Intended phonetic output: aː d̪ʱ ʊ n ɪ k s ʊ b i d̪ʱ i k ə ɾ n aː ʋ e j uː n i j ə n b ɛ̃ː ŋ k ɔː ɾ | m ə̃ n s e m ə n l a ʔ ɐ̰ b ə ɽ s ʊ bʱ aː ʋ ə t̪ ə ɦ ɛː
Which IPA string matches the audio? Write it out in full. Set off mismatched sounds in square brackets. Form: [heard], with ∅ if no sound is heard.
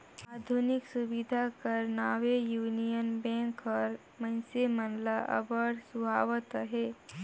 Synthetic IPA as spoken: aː d̪ʱ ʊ n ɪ k s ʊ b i d̪ʱ [a] k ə ɾ n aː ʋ e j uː n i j ə n b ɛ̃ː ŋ k ɔː ɾ | m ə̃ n s e m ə n l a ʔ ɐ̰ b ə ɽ s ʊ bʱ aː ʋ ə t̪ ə ɦ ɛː